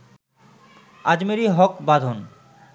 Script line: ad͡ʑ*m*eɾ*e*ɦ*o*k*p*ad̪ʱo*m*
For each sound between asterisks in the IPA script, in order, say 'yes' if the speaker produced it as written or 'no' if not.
yes, no, no, no, no

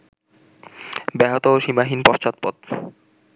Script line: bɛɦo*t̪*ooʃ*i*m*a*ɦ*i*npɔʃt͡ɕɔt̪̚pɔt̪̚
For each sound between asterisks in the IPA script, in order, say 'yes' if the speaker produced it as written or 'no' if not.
yes, yes, yes, yes

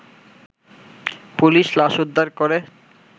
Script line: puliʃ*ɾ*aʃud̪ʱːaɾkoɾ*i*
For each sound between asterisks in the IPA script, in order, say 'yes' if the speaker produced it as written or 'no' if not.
no, no

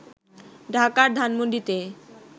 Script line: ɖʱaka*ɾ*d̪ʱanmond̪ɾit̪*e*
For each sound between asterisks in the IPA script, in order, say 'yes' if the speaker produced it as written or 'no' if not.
yes, yes

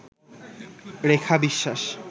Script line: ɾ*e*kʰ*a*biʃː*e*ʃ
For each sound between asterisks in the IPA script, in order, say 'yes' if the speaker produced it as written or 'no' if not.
yes, yes, no

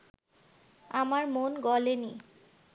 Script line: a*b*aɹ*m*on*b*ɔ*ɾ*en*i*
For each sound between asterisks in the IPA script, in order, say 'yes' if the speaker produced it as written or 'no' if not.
no, yes, no, no, yes

